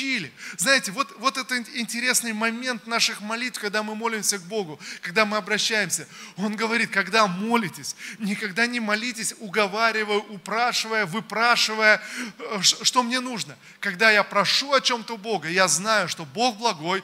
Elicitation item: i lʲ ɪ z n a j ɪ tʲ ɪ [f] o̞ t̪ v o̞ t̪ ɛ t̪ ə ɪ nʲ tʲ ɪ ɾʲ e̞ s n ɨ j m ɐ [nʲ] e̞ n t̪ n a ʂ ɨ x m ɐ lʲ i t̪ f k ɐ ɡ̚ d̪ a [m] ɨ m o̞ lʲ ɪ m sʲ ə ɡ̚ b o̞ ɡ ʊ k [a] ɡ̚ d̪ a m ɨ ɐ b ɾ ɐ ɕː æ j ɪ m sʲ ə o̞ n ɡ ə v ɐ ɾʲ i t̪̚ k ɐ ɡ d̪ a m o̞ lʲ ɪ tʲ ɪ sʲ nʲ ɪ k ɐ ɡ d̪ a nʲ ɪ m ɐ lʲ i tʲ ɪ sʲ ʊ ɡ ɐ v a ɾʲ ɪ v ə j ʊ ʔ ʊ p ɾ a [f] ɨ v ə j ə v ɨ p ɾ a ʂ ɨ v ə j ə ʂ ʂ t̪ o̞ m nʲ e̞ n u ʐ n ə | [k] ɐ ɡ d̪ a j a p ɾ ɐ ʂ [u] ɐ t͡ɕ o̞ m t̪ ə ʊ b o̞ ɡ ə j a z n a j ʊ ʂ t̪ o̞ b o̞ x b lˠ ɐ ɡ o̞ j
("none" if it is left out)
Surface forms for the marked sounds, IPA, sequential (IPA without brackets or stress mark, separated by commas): v, mʲ, m, ɐ, ʂ, k, u